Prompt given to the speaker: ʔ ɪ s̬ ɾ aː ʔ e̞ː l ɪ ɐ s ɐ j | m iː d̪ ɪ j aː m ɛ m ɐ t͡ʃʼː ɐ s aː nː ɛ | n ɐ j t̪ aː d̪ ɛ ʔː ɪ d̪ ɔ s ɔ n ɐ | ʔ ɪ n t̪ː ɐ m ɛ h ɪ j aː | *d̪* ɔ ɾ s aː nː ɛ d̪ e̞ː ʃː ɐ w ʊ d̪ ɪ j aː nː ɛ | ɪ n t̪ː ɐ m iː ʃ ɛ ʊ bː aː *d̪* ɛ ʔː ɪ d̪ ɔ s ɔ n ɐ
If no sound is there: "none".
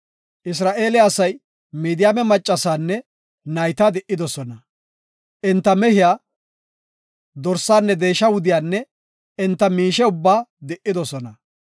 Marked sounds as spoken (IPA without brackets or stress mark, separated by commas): d̪, d̪